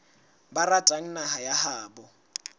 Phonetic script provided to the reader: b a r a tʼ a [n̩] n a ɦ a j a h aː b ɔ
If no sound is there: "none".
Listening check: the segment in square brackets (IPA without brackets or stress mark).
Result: ŋ̩